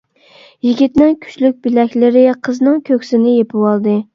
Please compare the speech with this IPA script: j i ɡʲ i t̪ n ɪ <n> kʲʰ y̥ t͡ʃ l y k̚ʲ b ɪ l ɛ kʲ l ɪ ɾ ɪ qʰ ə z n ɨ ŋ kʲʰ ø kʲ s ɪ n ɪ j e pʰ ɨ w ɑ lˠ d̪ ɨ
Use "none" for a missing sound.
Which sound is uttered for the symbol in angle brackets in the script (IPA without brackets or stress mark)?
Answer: ŋ